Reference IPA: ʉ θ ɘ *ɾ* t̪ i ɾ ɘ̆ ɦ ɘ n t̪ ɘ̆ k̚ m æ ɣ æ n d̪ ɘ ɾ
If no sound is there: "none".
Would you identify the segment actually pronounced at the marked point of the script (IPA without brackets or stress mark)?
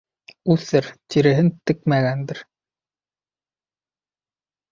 ɾ